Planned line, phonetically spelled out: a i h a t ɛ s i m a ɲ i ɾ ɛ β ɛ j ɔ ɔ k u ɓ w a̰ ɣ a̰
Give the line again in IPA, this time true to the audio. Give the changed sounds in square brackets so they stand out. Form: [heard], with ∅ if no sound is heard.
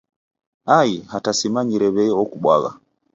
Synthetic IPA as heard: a i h a t [a] s i m a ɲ i ɾ ɛ β ɛ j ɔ ɔ k u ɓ w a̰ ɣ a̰